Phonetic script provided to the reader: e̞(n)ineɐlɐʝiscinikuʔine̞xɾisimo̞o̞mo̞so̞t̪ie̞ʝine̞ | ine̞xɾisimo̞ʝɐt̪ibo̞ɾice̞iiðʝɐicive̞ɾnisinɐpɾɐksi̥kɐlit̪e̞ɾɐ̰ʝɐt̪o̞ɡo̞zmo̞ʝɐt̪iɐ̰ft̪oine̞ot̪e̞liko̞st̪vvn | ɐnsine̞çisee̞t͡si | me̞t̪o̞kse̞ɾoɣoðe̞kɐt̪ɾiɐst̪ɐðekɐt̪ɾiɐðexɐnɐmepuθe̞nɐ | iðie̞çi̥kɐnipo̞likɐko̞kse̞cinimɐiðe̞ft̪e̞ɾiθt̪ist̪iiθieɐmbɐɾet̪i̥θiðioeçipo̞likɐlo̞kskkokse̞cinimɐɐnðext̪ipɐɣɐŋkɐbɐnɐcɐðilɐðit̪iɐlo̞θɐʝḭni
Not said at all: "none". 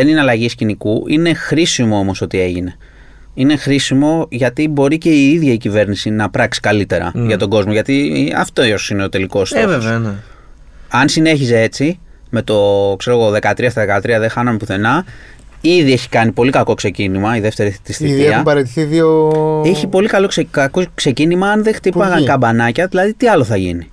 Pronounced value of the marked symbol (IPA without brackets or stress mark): n